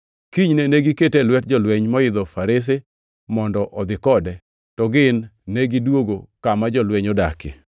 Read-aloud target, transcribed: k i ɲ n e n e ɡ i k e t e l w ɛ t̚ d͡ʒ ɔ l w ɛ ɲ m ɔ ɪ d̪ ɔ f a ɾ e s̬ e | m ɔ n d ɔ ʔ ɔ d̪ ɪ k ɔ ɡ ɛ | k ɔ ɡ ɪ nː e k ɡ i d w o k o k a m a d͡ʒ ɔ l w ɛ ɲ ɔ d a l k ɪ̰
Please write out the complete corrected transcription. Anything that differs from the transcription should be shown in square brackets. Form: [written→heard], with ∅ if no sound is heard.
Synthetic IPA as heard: k i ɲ n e n e ɡ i k e t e l w ɛ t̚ d͡ʒ ɔ l w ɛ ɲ m ɔ ɪ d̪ ɔ f a ɾ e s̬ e | m ɔ n d ɔ ʔ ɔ d̪ ɪ k ɔ [ɡ→d] ɛ | [k→t] ɔ ɡ ɪ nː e [k→∅] ɡ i d w o [k→ɡ] o k a m a d͡ʒ ɔ l w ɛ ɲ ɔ d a [l→∅] k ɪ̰